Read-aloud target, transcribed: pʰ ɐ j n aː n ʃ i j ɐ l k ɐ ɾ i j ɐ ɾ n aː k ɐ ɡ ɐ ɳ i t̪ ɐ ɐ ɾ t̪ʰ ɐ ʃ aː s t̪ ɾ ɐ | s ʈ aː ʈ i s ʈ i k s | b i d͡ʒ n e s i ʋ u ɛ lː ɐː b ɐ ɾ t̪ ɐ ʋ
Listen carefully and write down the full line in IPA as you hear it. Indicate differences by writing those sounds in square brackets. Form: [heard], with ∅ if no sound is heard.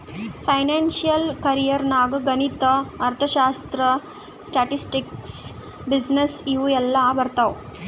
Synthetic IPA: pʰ ɐ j n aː n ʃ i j ɐ l k ɐ ɾ i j ɐ ɾ n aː [ɡ] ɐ ɡ ɐ [n] i t̪ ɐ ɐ ɾ t̪ʰ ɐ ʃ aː s t̪ ɾ ɐ | s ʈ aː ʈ i s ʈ i k s | b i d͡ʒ n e s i ʋ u ɛ lː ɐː b ɐ ɾ t̪ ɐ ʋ